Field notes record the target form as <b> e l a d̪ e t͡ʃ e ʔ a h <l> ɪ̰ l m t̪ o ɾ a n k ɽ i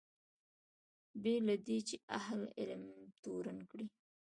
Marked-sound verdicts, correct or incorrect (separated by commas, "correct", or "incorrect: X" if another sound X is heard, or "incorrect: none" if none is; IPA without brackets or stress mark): correct, correct